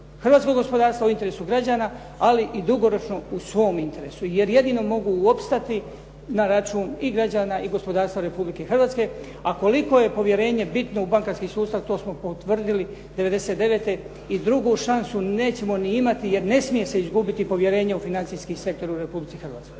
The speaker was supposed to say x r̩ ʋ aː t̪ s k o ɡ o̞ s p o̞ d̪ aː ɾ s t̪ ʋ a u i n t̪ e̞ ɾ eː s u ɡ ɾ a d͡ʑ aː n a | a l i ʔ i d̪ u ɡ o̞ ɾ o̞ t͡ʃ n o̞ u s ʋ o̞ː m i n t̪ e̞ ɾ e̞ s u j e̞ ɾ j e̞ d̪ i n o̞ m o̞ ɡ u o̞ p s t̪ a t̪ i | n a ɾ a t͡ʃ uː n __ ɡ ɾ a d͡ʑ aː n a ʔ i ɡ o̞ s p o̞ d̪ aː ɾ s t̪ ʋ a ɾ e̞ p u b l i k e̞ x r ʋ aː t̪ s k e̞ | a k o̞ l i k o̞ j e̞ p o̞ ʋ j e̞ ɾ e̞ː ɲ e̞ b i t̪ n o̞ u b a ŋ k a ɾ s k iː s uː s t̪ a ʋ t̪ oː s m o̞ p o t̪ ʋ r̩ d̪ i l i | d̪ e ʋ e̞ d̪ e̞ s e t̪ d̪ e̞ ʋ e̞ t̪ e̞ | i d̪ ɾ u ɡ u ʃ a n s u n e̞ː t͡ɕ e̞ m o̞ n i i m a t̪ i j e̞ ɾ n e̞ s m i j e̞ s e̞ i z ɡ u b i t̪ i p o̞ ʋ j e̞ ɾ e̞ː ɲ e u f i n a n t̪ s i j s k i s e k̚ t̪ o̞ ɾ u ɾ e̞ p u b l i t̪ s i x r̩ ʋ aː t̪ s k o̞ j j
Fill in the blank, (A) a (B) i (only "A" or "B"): B